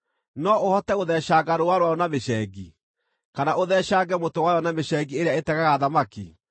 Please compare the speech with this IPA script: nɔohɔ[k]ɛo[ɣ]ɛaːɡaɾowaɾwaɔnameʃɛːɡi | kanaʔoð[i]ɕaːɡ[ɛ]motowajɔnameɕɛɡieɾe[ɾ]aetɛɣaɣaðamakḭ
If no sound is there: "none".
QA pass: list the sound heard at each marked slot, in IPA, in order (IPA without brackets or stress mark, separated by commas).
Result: t, ð, ɛ, ɛ, none